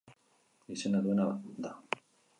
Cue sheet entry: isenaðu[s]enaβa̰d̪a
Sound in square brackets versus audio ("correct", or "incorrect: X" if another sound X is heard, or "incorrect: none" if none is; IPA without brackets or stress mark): incorrect: none